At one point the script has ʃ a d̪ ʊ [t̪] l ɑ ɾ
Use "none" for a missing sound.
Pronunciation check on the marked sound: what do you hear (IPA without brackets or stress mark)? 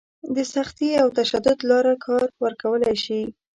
d̪